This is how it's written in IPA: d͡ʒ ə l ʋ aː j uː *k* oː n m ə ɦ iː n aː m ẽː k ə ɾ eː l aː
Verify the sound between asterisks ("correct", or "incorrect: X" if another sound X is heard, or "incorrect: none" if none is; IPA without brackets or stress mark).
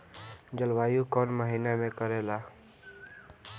correct